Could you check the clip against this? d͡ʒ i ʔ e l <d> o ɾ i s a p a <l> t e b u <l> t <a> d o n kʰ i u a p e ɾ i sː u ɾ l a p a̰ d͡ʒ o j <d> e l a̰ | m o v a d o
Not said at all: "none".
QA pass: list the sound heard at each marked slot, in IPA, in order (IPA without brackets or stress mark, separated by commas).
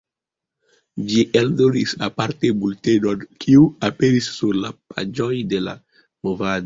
d, ɾ, l, e, d